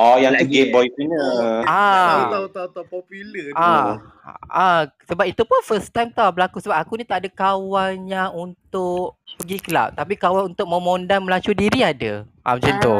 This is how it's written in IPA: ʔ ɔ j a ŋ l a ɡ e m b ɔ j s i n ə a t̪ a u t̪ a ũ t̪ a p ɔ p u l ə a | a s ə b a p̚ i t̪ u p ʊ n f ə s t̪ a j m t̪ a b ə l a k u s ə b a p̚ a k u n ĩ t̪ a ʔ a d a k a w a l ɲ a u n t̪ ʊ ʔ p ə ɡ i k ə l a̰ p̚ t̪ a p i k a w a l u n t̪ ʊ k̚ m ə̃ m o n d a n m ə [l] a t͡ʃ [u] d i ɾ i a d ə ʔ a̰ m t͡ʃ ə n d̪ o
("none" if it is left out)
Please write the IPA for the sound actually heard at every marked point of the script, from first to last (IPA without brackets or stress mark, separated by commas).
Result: l, u